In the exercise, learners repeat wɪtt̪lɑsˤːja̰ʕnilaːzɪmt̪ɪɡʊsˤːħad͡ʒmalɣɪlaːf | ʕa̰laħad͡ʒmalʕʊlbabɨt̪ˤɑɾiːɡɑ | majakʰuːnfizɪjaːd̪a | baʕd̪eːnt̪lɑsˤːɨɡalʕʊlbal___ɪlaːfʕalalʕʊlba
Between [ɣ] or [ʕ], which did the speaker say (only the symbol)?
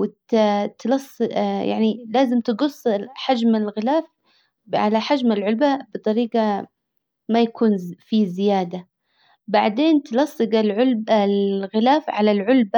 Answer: ɣ